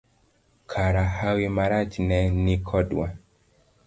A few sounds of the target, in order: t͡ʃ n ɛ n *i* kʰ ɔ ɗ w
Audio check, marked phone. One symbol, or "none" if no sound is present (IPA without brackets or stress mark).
i